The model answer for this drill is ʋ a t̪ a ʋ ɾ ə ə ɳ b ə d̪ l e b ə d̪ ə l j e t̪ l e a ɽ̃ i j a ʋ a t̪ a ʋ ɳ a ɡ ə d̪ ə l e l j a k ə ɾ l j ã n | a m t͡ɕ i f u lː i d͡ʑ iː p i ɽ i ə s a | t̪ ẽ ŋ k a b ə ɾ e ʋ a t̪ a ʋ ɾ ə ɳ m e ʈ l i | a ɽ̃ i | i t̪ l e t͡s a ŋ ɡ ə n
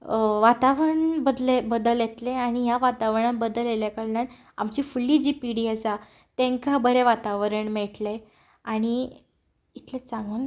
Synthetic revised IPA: ʋ a t̪ a ʋ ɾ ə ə ɳ b ə d̪ l e b ə d̪ ə l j e t̪ l e a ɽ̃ i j a ʋ a t̪ a ʋ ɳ a b ə d̪ ə l e l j a k ə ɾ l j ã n | a m t͡ɕ i f u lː i d͡ʑ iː p i ɽ i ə s a | t̪ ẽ ŋ k a b ə ɾ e ʋ a t̪ a ʋ ɾ ə ɳ m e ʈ l e | a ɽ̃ i | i t̪ l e t͡s a ŋ ɡ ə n